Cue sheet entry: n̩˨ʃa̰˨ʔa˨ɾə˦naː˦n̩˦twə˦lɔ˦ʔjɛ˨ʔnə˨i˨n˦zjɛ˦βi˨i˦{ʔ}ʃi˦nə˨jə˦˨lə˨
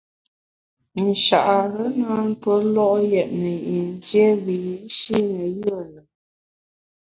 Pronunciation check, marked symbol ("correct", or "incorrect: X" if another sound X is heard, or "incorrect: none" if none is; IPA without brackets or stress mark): incorrect: none